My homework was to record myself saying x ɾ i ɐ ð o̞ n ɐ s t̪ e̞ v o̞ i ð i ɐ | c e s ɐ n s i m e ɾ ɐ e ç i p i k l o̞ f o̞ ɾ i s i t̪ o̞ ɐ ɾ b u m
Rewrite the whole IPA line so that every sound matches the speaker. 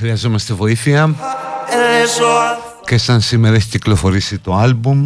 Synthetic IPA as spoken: x ɾ i ɐ z o̞ m ɐ s t̪ e̞ v o̞ i θ i ɐ | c e s ɐ n s i m e ɾ ɐ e ç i c i k l o̞ f o̞ ɾ i s i t̪ o̞ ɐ l b u m